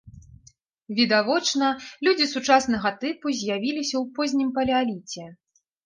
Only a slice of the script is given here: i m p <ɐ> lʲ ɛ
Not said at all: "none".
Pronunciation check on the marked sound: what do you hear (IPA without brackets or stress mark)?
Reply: ɐ